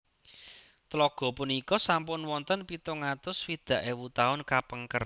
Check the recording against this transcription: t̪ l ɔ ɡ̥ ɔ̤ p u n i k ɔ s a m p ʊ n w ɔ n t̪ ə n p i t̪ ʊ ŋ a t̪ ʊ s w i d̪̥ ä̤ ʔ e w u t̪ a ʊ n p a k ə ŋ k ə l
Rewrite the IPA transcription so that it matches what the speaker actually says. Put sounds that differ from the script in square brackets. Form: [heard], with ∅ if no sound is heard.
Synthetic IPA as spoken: t̪ l ɔ ɡ̥ ɔ̤ p u n i k ɔ s a m p ʊ n w ɔ n t̪ ə n p i t̪ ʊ ŋ a t̪ ʊ s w i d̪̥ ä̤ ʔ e w u t̪ a ʊ n [k] a [p] ə ŋ k ə [r]